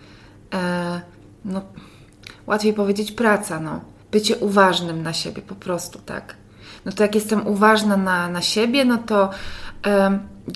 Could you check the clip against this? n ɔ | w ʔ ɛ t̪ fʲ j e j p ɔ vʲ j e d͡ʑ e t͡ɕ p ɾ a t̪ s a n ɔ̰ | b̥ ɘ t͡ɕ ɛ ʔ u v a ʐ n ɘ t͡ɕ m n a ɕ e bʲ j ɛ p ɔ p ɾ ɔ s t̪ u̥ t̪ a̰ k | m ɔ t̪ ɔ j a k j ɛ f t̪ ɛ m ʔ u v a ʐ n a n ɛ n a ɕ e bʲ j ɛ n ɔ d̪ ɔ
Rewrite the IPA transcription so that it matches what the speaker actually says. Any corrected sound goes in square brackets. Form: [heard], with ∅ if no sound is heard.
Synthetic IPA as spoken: n ɔ | w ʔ [a] t̪ fʲ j e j p ɔ vʲ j e d͡ʑ e t͡ɕ p ɾ a t̪ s a n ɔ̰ | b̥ ɘ t͡ɕ ɛ ʔ u v a ʐ n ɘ [∅] m n a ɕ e bʲ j ɛ p ɔ p ɾ ɔ s t̪ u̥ t̪ a̰ k | [n] ɔ t̪ ɔ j a k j ɛ [s] t̪ ɛ m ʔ u v a ʐ n a n [a] n a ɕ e bʲ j ɛ n ɔ [t̪] ɔ